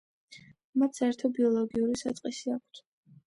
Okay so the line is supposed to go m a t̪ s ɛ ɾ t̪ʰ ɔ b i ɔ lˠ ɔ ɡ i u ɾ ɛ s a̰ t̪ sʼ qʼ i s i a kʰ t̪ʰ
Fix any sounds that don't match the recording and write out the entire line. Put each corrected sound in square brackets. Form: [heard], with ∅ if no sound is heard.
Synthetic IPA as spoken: m a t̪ s ɛ ɾ t̪ʰ ɔ b i ɔ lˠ ɔ ɡ i u ɾ [i] s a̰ t̪ sʼ qʼ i s i a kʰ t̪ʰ